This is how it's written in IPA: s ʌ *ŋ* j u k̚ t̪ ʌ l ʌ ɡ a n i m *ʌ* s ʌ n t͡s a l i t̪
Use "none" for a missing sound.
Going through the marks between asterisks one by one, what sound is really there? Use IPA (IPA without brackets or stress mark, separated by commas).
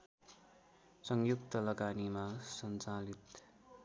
ŋ, a